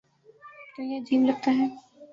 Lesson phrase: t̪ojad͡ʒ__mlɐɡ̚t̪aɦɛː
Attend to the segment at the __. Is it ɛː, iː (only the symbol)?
iː